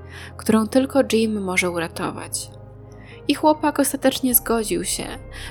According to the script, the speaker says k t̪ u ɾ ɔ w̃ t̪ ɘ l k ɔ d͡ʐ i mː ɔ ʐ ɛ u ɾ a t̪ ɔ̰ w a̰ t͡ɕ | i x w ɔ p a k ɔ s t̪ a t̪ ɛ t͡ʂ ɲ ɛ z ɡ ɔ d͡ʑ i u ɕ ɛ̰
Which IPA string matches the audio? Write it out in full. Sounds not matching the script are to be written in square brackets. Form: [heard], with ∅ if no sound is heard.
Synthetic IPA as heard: k t̪ u ɾ [ɔ̃] w̃ t̪ ɘ l k ɔ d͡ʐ i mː ɔ ʐ ɛ u ɾ a t̪ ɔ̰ [v] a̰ t͡ɕ | i x w ɔ p a k ɔ s t̪ a t̪ ɛ t͡ʂ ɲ ɛ z ɡ ɔ d͡ʑ i [w] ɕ ɛ̰